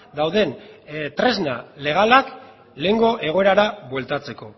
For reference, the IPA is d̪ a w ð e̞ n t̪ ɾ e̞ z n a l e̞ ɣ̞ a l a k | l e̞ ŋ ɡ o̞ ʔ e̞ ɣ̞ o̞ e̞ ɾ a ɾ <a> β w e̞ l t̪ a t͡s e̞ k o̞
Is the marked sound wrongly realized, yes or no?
no